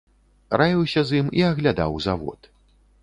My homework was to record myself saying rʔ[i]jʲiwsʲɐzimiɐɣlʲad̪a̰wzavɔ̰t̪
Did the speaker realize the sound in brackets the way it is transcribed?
no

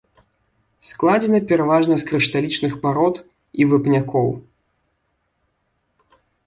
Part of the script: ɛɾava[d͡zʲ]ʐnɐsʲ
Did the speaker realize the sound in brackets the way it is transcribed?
no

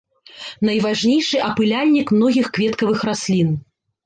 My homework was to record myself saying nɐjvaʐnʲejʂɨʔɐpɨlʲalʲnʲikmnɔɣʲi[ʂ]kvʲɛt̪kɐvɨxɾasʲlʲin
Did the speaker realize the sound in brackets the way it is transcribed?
no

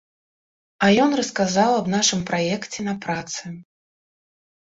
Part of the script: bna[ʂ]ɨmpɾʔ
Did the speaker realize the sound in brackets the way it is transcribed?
yes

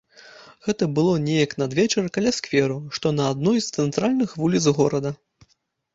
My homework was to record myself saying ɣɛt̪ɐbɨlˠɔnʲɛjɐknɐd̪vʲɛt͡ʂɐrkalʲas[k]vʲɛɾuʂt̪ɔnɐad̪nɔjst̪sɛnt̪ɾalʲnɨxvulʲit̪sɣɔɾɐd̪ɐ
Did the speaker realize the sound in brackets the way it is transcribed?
yes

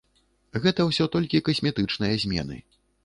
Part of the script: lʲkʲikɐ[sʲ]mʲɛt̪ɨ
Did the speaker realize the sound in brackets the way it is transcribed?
yes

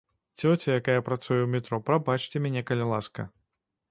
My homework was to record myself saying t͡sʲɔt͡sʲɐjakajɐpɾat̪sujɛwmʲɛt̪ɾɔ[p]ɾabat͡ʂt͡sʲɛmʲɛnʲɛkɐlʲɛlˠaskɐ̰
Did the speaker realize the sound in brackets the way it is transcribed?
yes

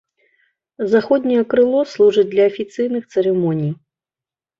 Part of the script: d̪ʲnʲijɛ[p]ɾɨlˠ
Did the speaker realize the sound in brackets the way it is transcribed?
no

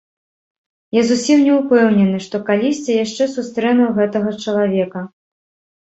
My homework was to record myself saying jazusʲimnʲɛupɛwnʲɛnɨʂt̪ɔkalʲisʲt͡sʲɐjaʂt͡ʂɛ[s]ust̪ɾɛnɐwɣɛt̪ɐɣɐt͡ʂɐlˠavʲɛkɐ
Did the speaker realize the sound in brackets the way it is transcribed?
yes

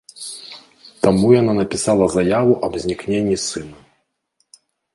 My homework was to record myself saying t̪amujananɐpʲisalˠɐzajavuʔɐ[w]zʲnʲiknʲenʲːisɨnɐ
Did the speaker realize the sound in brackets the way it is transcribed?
no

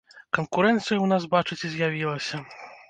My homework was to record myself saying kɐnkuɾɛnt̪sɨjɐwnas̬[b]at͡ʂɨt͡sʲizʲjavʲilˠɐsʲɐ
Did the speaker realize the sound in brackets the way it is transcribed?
yes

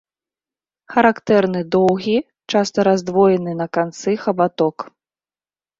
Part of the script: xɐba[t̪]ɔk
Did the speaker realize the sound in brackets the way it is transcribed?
yes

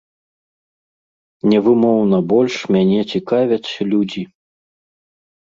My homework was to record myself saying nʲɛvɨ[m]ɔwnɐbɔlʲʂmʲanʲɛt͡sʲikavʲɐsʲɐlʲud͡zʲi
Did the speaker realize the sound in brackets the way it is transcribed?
yes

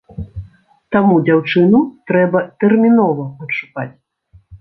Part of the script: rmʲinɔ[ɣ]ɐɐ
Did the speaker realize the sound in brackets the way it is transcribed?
no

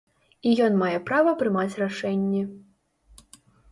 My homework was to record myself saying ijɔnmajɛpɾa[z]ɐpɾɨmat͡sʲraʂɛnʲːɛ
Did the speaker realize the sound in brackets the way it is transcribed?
no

